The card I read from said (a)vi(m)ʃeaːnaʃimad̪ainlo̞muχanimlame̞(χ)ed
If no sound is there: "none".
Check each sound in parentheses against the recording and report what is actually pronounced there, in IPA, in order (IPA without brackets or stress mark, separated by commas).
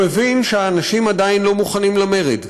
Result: e, n, ʁ